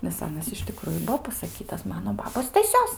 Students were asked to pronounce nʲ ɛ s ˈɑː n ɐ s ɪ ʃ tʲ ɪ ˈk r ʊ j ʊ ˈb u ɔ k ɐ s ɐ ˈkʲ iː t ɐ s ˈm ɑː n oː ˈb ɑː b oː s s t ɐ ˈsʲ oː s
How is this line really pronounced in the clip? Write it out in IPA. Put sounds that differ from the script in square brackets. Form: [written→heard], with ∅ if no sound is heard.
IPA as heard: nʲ ɛ s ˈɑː n ɐ s ɪ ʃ tʲ ɪ ˈk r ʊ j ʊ ˈb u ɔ [k→p] ɐ s ɐ ˈkʲ iː t ɐ s ˈm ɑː n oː ˈb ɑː b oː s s t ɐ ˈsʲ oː s